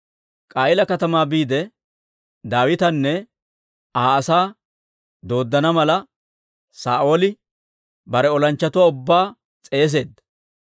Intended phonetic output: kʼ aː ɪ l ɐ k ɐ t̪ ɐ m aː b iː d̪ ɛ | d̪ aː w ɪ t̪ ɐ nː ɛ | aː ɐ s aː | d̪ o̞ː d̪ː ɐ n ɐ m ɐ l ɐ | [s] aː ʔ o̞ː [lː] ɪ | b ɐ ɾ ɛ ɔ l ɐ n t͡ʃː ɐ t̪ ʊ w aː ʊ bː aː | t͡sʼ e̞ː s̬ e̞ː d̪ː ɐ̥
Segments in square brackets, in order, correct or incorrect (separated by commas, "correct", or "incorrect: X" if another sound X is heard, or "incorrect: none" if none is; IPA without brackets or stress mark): correct, incorrect: l